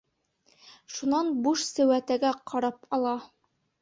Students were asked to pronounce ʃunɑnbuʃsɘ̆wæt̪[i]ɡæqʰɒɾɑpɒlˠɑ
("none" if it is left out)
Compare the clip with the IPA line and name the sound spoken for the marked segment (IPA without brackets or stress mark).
æ